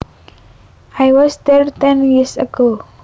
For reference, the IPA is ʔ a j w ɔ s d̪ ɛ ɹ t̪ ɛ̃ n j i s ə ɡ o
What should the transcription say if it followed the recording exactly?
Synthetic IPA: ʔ a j w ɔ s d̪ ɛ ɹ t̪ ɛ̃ n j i s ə ɡ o